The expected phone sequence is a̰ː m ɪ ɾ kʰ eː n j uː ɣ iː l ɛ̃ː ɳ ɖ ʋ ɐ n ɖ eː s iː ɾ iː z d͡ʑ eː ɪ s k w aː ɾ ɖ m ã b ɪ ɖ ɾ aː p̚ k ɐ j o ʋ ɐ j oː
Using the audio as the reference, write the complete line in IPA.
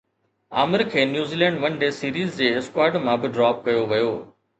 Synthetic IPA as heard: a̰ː m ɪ ɾ kʰ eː n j uː z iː l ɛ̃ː ɳ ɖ ʋ ɐ n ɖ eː s iː ɾ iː z d͡ʑ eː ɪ s k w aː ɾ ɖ m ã b ɪ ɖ ɾ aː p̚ k ɐ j o ʋ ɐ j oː